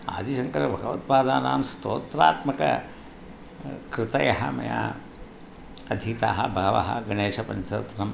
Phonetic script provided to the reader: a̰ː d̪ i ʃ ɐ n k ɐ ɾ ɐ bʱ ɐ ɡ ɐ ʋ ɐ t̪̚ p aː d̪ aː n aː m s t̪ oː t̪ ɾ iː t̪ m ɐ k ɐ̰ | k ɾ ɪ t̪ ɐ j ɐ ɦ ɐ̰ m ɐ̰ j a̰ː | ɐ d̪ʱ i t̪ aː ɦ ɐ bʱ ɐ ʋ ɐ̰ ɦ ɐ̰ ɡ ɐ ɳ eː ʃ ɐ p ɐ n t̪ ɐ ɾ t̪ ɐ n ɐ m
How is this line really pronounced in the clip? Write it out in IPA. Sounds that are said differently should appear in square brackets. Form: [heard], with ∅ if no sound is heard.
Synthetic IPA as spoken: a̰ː d̪ i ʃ ɐ [ŋ] k ɐ ɾ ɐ bʱ ɐ ɡ ɐ ʋ ɐ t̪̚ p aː d̪ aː n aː m s t̪ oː t̪ ɾ [aː] t̪ m ɐ k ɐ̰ | k ɾ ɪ t̪ ɐ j ɐ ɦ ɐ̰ m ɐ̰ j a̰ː | ɐ d̪ʱ i t̪ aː ɦ ɐ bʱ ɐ ʋ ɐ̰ ɦ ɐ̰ ɡ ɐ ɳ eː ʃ ɐ p ɐ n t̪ ɐ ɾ t̪ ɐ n ɐ m